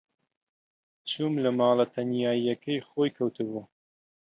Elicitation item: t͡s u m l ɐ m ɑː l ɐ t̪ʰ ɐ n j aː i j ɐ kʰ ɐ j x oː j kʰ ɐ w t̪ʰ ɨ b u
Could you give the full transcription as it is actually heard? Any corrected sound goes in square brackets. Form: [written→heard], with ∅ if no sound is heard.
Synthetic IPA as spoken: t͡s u m l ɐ m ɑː l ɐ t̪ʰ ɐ n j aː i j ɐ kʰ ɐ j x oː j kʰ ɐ w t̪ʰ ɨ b u